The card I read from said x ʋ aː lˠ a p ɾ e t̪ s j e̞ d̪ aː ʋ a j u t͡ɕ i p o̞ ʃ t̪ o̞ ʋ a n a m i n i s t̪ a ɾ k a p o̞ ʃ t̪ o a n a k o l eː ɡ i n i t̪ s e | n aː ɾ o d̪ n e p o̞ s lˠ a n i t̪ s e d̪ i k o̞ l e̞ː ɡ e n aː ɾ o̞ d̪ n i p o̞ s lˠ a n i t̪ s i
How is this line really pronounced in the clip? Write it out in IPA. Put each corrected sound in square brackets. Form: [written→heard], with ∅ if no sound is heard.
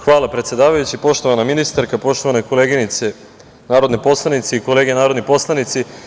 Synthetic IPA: x ʋ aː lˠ a p ɾ e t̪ s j e̞ d̪ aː ʋ a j u t͡ɕ i p o̞ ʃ t̪ o̞ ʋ a n a m i n i s t̪ a ɾ k a p o̞ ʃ t̪ o a n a k o l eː ɡ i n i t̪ s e | n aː ɾ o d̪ n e p o̞ s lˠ a n i t̪ s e [d̪→∅] i k o̞ l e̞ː ɡ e n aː ɾ o̞ d̪ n i p o̞ s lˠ a n i t̪ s i